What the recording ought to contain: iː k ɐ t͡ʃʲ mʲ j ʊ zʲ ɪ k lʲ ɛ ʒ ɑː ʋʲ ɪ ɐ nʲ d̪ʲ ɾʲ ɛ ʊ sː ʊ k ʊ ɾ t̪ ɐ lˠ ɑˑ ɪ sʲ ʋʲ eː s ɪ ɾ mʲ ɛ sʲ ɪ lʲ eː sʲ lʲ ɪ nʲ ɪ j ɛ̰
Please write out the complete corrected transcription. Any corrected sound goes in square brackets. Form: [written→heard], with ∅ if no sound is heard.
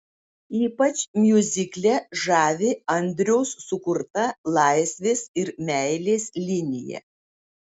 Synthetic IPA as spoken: iː [k→p] ɐ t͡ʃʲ mʲ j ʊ zʲ ɪ k lʲ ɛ ʒ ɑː ʋʲ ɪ ɐ nʲ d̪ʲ ɾʲ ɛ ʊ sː ʊ k ʊ ɾ t̪ ɐ lˠ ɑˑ ɪ sʲ ʋʲ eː s ɪ ɾ mʲ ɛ [sʲ→∅] ɪ lʲ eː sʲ lʲ ɪ nʲ ɪ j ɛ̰